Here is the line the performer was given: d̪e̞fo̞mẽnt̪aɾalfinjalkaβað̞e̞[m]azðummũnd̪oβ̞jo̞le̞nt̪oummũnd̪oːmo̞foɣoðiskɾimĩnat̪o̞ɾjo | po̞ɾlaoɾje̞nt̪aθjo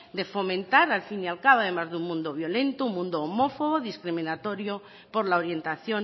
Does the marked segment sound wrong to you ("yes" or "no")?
no